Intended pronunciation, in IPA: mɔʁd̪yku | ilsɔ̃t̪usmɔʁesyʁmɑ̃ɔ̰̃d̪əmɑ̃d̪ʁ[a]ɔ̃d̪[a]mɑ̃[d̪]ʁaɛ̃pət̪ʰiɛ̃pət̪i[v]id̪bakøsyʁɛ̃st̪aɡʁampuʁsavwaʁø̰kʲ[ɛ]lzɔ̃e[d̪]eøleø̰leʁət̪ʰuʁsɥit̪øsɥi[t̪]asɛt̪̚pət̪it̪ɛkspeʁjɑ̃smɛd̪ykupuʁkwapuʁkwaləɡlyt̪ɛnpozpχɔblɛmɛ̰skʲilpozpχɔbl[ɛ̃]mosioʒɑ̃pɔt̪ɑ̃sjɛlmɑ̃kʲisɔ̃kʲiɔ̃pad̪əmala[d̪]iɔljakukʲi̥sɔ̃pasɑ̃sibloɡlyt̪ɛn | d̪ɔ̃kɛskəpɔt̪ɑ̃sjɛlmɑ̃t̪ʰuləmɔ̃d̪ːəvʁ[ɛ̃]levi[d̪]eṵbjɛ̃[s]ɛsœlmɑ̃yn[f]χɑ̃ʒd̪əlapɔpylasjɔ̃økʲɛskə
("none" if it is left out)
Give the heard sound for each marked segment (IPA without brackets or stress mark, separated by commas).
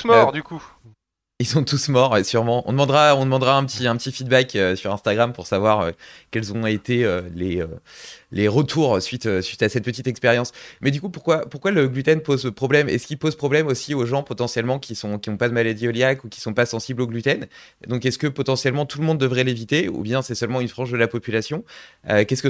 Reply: a, ə, d̪, f, ɛ, t̪, t̪, ɛ, d̪, ɛ, t̪, s, f